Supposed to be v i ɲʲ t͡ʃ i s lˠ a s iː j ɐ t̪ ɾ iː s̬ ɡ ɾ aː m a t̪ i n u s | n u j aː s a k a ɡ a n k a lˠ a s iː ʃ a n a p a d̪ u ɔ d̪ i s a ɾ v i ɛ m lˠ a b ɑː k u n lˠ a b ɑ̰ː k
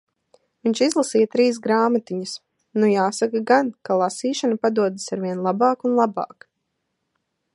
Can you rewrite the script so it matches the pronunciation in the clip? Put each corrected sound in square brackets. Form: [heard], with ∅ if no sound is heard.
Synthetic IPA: v i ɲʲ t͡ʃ i [z] lˠ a s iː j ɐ t̪ ɾ iː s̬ ɡ ɾ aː m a t̪ i [ɲ] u s | n u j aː s a k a ɡ a n k a lˠ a s iː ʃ a n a p a d̪ u ɔ d̪ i s a ɾ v i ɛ [n] lˠ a b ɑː k u n lˠ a b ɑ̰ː k